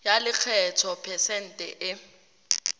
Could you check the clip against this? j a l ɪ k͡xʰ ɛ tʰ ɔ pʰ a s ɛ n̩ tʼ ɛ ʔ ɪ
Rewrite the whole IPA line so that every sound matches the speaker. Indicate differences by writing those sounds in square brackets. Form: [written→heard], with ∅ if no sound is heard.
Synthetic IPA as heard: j a l ɪ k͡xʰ ɛ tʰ ɔ pʰ [a→ɛ] s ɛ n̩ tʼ ɛ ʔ ɪ